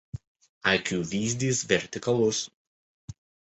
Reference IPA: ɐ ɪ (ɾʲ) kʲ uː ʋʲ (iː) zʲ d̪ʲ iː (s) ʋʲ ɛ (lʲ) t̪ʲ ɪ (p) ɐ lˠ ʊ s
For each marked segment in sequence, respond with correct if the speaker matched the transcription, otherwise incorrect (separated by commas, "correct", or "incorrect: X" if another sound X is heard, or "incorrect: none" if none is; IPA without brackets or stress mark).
incorrect: none, correct, correct, incorrect: ɾʲ, incorrect: k